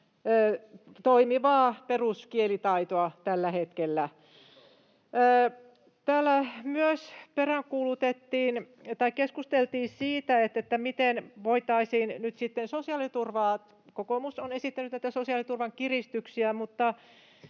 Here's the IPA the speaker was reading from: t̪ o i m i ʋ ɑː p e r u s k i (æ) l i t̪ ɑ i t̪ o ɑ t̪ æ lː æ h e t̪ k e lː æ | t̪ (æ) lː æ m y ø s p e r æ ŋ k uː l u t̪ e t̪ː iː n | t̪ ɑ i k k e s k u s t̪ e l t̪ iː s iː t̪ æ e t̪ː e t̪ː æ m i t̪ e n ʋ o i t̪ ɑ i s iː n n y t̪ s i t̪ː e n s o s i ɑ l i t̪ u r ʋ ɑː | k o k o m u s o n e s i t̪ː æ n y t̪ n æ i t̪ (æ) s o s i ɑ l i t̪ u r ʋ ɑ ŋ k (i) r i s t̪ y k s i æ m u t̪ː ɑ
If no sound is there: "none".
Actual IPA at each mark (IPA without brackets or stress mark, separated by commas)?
e, æː, æ, i